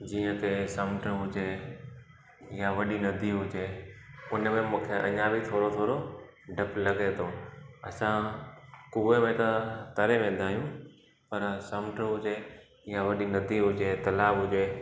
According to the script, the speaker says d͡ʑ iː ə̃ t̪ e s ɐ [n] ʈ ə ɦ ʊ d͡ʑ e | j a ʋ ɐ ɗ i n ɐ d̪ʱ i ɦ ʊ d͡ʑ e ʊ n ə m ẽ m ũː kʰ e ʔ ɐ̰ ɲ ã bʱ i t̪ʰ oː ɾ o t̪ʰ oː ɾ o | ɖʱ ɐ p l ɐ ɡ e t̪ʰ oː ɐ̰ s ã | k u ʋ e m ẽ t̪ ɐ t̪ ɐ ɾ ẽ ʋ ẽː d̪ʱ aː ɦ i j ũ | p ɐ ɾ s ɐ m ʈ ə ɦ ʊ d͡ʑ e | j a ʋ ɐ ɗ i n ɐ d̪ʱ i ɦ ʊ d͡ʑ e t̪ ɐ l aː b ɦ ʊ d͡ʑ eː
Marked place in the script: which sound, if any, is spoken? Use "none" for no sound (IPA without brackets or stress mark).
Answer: m